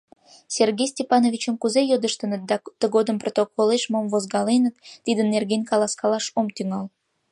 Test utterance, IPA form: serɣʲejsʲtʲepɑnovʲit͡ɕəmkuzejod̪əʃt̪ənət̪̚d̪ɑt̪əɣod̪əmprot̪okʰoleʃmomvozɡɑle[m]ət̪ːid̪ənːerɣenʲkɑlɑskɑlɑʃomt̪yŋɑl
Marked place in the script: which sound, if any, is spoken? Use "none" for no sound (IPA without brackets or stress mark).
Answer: n